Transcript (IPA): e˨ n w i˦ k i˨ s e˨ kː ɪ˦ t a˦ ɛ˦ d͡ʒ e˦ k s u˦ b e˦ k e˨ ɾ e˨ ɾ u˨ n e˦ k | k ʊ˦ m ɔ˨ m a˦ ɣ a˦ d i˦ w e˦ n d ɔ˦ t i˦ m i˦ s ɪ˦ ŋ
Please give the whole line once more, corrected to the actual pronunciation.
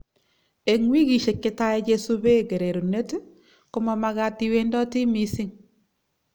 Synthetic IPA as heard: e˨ ŋ w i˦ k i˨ ʃ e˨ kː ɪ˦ t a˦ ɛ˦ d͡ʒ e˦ s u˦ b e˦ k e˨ ɾ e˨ ɾ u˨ n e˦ t | k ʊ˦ m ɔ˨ m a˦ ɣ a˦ t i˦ w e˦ n d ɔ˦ t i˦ m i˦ s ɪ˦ ŋ